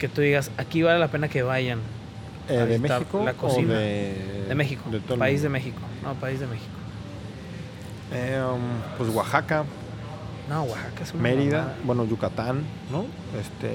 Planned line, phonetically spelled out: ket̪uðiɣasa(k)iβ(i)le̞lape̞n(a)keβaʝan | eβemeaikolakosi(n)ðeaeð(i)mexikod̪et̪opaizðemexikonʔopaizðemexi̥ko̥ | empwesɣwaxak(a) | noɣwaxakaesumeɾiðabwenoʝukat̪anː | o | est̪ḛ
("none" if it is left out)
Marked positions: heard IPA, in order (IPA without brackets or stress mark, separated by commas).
k, a, a, n, e, a